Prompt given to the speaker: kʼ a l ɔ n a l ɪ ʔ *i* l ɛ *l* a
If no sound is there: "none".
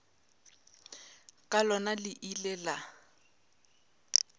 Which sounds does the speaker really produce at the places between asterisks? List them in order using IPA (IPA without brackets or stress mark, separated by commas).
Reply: i, l